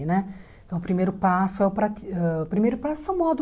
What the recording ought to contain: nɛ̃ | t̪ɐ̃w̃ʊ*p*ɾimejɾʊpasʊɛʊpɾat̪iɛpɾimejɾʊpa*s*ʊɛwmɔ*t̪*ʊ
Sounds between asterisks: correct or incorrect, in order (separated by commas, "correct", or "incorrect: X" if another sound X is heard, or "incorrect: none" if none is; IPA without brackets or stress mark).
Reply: correct, correct, incorrect: d̪